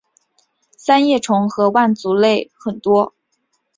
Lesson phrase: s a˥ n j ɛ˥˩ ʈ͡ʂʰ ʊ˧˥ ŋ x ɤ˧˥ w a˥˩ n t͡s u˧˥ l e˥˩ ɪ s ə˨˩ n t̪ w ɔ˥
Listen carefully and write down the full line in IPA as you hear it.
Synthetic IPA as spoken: s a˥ n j ɛ˥˩ ʈ͡ʂʰ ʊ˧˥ ŋ x ɤ˧˥ w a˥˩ n t͡s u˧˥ l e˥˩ ɪ x ə˨˩ n t̪ w ɔ˥